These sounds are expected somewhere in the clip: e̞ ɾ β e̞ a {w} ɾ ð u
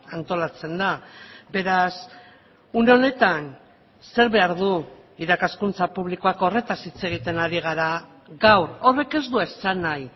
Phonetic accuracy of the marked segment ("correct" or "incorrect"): incorrect